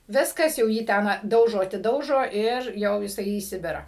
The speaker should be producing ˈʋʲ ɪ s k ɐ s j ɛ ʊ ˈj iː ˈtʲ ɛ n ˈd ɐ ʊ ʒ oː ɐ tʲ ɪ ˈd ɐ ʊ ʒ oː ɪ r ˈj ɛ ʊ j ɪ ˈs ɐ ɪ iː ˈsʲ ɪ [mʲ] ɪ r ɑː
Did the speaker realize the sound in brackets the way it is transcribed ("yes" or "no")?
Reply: no